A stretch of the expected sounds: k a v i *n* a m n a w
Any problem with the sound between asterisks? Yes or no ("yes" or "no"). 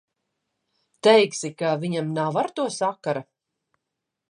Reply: yes